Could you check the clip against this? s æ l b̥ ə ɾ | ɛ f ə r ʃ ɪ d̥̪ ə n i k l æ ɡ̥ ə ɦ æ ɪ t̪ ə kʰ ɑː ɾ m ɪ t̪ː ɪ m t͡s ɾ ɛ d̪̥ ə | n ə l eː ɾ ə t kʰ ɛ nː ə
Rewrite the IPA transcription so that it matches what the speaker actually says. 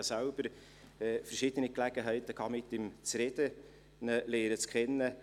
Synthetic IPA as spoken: s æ l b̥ ə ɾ | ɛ f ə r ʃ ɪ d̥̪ ə n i k l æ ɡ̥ ə ɦ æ ɪ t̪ ə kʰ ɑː m ɪ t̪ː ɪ m t͡s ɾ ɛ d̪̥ ə | n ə l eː ɾ ə t͡s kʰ ɛ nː ə